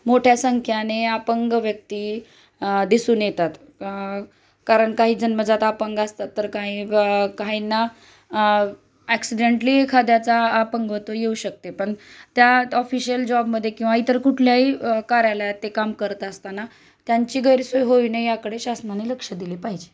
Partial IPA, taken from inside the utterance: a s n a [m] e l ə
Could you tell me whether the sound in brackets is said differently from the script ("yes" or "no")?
yes